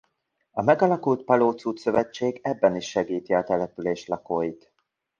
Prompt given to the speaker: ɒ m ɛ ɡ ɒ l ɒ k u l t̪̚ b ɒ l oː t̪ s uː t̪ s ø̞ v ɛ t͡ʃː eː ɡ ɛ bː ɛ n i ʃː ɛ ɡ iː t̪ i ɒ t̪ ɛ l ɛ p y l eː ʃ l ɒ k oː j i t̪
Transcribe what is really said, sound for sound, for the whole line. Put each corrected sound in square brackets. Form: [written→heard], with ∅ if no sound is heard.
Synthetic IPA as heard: ɒ m ɛ ɡ ɒ l ɒ k u l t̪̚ [b→p] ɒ l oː t̪ s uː t̪ s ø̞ v ɛ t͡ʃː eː ɡ ɛ bː ɛ n i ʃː ɛ ɡ iː t̪ i ɒ t̪ ɛ l ɛ p y l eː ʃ l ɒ k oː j i t̪